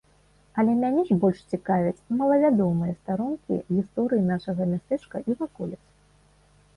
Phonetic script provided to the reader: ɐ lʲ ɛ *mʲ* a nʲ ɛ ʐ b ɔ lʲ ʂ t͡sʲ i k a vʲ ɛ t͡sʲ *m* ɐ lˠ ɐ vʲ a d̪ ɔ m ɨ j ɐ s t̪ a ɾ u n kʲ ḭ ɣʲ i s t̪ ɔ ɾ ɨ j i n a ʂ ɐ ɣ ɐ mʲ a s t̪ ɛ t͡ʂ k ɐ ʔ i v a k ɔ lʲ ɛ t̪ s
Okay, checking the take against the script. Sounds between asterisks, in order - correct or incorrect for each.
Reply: correct, correct

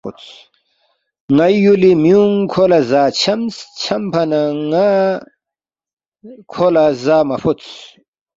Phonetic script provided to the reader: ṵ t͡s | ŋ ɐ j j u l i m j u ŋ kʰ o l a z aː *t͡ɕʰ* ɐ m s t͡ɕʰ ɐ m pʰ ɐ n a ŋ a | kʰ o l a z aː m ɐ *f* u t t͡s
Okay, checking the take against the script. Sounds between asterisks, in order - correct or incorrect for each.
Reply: correct, correct

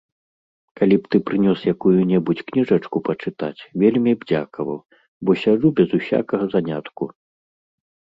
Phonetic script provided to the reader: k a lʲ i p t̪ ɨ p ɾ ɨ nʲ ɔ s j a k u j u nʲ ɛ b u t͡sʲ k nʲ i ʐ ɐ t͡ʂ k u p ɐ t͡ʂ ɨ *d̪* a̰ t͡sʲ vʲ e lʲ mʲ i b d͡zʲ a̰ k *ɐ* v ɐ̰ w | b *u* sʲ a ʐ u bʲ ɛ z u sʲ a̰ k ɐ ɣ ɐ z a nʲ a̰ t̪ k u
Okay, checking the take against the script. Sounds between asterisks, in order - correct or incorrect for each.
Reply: incorrect: t̪, correct, incorrect: ɔ

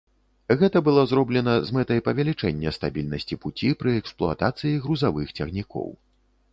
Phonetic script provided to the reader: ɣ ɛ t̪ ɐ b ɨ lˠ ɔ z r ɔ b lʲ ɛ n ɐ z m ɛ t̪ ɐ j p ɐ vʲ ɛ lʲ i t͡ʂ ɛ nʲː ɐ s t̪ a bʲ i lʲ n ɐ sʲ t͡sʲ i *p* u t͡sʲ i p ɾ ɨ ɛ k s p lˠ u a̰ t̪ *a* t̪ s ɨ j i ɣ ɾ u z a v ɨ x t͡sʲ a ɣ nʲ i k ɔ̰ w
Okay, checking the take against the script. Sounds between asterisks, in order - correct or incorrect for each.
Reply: correct, correct

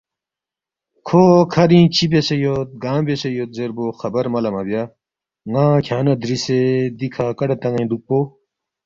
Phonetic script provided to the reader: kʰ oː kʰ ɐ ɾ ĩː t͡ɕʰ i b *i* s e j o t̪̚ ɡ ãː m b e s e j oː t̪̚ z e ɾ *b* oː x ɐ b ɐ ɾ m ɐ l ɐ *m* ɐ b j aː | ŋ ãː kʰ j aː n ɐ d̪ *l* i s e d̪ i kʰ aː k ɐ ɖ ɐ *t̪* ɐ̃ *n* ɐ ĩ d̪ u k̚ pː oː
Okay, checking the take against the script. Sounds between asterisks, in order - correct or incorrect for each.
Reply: incorrect: e, correct, correct, incorrect: ɾ, correct, incorrect: ŋ

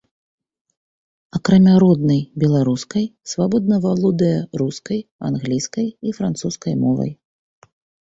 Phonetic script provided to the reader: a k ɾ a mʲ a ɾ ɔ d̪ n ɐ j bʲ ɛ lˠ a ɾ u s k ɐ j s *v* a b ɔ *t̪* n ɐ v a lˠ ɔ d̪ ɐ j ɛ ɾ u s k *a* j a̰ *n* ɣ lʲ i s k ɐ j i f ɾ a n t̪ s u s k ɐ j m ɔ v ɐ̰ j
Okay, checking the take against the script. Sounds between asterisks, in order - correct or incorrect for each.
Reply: correct, incorrect: d̪, incorrect: ɐ, correct

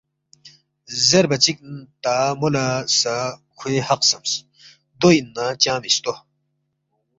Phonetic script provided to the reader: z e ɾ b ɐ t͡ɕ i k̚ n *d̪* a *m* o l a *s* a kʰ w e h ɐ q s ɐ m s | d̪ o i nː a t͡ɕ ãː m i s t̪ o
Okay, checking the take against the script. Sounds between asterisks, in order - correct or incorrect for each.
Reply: incorrect: t̪, correct, correct

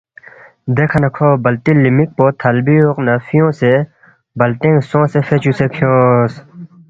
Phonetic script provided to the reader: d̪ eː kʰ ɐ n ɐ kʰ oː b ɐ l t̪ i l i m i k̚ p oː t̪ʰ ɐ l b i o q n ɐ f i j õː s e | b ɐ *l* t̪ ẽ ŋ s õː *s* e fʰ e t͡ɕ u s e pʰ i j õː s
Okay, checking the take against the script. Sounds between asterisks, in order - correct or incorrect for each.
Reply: correct, correct

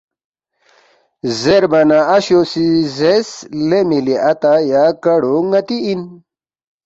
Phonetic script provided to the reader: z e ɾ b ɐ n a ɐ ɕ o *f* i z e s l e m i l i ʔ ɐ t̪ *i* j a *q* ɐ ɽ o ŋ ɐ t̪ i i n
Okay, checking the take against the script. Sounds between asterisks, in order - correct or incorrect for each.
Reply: incorrect: s, incorrect: a, incorrect: k

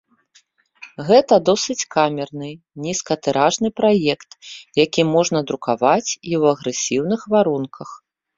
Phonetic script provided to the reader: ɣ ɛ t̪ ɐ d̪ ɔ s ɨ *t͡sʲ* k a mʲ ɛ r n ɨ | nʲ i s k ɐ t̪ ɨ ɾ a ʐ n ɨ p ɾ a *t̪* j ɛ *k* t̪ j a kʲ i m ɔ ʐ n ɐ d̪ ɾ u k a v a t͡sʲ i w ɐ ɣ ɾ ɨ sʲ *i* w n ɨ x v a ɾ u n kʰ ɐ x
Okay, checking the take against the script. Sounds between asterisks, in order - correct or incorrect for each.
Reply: correct, incorrect: none, correct, correct

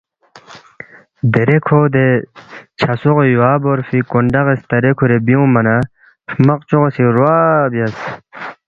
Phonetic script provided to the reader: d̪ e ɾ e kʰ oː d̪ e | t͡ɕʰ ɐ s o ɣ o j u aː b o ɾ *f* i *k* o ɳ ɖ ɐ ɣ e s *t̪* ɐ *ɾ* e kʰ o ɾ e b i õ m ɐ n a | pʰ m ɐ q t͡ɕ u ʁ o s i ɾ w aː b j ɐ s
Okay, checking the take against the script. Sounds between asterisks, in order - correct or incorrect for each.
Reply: correct, correct, correct, correct

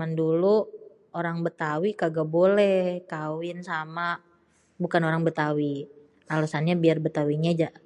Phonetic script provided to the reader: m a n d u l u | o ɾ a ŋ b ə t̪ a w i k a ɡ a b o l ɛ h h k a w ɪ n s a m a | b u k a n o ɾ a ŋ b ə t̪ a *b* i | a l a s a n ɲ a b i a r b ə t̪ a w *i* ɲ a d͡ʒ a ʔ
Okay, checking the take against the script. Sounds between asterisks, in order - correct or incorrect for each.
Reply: incorrect: w, correct

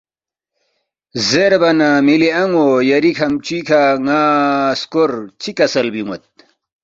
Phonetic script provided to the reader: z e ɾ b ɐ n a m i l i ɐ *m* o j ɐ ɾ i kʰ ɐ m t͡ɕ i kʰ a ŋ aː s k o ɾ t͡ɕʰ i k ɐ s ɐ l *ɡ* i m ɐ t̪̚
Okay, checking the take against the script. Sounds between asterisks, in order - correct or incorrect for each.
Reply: incorrect: ŋ, incorrect: b

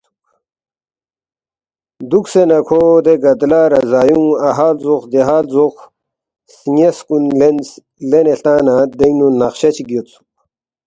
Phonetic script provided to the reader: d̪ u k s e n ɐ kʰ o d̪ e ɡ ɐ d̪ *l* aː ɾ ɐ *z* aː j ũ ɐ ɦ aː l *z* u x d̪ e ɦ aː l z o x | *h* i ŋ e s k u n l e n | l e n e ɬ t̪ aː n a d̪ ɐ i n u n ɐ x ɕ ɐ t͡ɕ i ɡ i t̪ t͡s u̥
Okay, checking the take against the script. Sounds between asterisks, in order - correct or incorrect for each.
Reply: correct, correct, correct, incorrect: s

